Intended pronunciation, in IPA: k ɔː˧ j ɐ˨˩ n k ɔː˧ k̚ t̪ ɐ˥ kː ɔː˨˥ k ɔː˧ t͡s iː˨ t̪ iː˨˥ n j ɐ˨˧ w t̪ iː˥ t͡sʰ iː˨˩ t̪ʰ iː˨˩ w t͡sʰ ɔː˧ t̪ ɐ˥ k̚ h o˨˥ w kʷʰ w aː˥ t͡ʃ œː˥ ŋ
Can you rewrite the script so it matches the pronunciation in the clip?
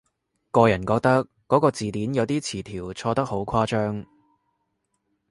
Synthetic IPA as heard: k ɔː˧ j ɐ˨˩ n k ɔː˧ k̚ t̪ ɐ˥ kː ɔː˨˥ k ɔː˧ t͡s iː˨ t̪ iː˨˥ n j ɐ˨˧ w t̪ iː˥ t͡sʰ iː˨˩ t̪ʰ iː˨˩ w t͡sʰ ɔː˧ t̪ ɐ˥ k̚ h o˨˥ w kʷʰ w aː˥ t͡ʃ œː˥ ŋ